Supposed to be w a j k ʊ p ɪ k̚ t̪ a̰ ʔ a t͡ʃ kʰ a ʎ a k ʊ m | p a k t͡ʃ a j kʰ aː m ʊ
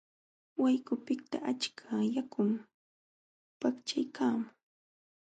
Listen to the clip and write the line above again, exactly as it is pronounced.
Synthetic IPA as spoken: w a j k ʊ p ɪ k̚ t̪ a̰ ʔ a t͡ʃ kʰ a j a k ʊ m | p a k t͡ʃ a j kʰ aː m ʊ